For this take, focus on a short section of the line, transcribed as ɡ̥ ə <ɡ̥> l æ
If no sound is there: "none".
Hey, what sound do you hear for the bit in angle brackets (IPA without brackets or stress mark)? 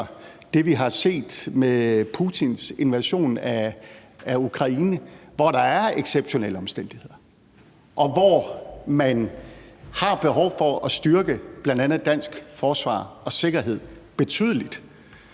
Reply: b̥